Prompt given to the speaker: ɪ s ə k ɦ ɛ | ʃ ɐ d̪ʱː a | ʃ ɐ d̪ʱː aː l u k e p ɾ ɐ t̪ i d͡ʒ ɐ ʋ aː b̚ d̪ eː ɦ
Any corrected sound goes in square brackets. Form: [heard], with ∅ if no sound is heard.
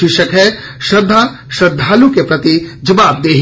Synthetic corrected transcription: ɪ [ʃ] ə k ɦ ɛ | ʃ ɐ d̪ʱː a | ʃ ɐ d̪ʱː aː l u k e p ɾ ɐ t̪ i d͡ʒ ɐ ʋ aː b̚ d̪ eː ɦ